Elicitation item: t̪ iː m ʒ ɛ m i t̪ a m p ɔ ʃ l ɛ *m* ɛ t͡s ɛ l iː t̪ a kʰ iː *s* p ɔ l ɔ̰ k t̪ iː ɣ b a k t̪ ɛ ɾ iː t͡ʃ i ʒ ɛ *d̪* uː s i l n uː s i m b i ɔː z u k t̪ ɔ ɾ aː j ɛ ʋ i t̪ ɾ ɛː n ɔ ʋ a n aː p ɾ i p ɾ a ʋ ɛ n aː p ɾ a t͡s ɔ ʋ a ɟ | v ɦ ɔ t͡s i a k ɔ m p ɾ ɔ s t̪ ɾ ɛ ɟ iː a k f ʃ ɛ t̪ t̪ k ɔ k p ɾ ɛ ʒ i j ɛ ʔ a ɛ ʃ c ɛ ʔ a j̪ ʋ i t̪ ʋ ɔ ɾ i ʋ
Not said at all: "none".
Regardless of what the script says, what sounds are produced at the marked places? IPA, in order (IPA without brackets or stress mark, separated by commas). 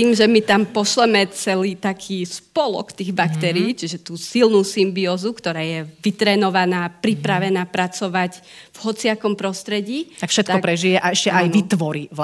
m, s, t̪